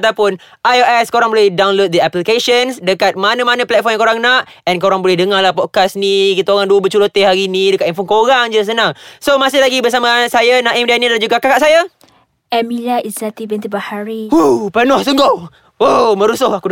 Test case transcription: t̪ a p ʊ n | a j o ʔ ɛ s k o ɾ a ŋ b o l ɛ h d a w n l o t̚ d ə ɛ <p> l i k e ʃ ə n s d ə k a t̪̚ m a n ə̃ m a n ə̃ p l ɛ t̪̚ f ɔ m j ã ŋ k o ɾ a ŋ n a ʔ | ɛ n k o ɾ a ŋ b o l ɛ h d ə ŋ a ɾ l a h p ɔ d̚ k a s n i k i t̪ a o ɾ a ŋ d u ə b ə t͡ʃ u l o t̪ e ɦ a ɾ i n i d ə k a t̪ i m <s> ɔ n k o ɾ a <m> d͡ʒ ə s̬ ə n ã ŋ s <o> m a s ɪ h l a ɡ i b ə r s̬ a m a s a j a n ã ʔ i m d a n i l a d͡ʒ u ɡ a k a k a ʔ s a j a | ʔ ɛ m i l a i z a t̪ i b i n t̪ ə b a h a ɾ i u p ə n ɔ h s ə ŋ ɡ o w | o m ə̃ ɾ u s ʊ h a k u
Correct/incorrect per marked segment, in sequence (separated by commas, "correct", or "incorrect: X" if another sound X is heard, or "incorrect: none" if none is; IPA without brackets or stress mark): correct, incorrect: f, incorrect: ŋ, correct